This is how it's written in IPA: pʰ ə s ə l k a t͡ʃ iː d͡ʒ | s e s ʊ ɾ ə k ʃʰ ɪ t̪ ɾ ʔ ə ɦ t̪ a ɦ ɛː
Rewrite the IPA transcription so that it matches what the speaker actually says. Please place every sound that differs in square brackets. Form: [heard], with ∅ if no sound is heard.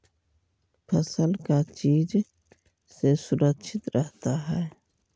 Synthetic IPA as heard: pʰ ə s ə l k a t͡ʃ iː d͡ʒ | s e s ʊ ɾ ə k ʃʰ ɪ t̪ ɾ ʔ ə ɦ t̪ a ɦ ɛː